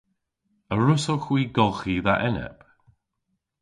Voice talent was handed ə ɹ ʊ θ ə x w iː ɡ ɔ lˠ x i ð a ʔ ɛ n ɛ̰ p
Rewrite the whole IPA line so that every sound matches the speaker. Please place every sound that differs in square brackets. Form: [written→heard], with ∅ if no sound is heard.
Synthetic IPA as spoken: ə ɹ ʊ [θ→s] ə x w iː ɡ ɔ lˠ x i ð a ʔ ɛ n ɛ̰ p